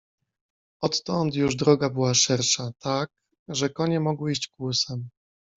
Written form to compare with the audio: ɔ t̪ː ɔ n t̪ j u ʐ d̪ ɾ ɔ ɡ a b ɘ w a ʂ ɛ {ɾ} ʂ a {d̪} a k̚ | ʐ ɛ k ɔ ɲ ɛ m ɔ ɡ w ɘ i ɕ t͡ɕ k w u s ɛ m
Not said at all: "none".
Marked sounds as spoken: ɾ, t̪

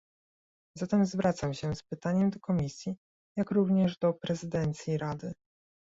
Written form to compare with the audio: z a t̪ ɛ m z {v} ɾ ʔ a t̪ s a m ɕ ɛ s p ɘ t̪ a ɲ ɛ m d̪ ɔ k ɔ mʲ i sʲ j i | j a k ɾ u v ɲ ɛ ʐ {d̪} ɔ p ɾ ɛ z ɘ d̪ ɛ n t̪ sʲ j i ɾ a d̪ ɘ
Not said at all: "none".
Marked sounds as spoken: v, d̪

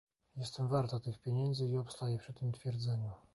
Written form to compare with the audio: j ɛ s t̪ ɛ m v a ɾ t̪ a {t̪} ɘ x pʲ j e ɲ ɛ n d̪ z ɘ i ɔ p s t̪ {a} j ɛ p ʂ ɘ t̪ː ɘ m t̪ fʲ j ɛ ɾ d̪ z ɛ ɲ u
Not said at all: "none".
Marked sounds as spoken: t̪, a

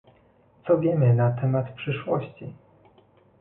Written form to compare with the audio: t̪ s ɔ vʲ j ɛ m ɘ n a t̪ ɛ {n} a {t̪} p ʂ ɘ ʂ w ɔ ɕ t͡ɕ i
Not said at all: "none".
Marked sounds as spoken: m, t̪

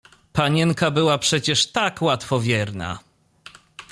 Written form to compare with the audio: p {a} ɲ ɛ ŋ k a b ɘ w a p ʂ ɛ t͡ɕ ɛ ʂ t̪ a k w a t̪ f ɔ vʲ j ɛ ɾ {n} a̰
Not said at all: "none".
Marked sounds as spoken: a, n

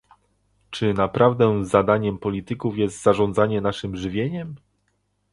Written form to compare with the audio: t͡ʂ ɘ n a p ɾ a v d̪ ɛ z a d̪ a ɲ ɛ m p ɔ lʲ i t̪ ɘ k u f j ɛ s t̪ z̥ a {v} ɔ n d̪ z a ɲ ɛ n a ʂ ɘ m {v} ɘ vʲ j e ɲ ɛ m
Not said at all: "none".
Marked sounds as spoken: ʐ, ʐ

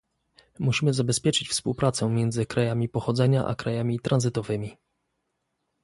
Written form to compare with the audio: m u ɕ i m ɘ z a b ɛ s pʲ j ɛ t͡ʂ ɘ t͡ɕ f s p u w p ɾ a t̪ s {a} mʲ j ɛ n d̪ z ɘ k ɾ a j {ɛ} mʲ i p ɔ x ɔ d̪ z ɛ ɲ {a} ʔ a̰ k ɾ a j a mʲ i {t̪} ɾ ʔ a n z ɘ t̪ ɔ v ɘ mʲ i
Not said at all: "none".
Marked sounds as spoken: ɛ, a, a, t̪

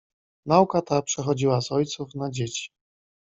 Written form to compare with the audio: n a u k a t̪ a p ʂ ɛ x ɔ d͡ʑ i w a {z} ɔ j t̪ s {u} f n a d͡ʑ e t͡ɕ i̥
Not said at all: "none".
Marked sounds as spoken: z, u

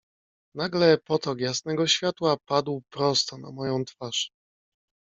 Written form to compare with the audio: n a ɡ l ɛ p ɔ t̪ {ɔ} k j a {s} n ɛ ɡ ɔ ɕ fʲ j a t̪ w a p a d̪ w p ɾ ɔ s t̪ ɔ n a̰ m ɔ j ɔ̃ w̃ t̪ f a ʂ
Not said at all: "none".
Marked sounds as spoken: ɔ, s

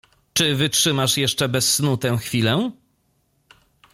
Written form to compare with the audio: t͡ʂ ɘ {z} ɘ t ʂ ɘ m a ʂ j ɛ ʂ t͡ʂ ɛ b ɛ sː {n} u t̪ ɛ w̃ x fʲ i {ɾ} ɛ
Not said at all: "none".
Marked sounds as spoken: v, n, l

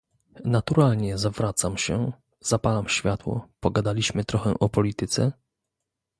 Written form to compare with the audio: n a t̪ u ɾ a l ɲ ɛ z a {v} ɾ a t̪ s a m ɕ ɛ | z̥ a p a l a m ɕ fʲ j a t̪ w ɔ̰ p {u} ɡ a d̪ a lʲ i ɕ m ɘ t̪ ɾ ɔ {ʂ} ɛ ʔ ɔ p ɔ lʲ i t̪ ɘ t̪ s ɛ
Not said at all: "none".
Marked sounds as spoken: v, ɔ, x

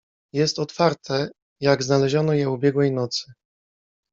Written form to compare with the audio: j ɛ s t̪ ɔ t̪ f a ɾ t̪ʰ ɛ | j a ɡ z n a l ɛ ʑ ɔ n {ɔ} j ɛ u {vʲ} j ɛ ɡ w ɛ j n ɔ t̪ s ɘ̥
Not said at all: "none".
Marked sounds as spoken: ɔ, bʲ

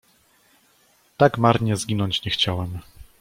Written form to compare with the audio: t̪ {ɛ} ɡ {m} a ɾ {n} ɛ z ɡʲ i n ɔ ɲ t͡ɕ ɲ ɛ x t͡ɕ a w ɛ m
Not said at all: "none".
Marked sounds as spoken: a, m, ɲ

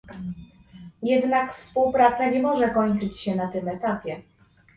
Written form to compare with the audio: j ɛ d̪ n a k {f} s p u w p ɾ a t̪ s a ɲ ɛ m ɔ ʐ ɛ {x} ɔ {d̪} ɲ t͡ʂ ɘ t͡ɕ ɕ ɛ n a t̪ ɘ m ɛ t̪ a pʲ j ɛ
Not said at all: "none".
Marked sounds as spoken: f, k, none

